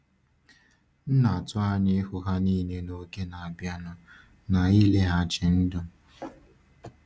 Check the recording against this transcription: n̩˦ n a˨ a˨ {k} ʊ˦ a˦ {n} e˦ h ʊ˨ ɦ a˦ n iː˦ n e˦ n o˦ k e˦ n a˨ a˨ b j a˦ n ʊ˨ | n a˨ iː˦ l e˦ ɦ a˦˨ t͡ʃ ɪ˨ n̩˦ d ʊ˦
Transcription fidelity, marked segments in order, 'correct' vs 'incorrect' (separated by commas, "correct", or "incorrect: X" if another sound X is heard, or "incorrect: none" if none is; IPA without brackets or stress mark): incorrect: t, incorrect: ɲ